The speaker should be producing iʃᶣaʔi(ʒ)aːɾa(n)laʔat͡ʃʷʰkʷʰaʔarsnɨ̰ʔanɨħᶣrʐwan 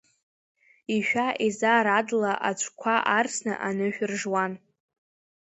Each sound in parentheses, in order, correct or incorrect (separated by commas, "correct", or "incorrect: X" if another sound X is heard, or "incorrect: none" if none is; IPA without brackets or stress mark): incorrect: z, incorrect: d